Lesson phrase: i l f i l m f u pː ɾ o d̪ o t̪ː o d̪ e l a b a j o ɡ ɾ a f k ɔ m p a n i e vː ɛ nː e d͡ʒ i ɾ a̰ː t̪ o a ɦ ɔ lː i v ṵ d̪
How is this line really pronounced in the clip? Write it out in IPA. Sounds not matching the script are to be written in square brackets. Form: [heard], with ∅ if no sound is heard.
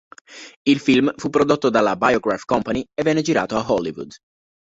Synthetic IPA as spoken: i l f i l m f u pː ɾ o d̪ o t̪ː o d̪ [a] l a b a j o ɡ ɾ a f k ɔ m p a n i e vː ɛ nː e d͡ʒ i ɾ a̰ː t̪ o a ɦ ɔ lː i v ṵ d̪